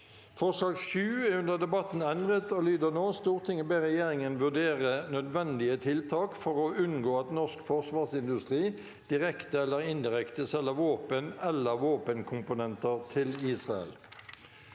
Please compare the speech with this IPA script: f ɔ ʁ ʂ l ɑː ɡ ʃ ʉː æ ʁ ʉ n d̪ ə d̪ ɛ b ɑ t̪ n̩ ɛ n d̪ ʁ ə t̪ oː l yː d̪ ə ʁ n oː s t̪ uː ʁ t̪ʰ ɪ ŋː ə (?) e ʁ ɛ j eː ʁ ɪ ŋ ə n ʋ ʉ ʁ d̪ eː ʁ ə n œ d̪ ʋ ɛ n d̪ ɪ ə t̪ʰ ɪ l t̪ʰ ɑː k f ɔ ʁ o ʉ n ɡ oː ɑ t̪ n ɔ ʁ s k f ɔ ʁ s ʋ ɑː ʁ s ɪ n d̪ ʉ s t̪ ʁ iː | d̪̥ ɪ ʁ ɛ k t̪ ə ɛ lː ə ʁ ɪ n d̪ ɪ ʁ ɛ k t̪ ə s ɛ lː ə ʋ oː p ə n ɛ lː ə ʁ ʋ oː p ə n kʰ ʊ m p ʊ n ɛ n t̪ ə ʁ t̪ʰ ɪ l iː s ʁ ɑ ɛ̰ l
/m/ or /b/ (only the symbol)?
b